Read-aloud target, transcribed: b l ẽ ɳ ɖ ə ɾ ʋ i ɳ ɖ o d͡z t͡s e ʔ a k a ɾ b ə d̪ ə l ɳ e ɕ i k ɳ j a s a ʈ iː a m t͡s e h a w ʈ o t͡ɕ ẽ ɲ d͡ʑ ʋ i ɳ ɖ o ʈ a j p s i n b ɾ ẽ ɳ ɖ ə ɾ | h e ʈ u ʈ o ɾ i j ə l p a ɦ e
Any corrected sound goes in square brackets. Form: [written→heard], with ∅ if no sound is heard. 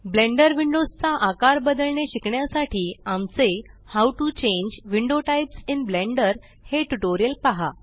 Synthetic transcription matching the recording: b l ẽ ɳ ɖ ə ɾ ʋ i ɳ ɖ o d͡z t͡s [e→a] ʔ a k a ɾ b ə d̪ ə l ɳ e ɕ i k ɳ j a s a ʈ iː a m t͡s e h a w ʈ [o→u] t͡ɕ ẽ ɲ d͡ʑ ʋ i ɳ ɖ o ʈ a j p s i n b [ɾ→l] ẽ ɳ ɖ ə ɾ | h e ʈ u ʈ o ɾ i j ə l p a ɦ [e→a]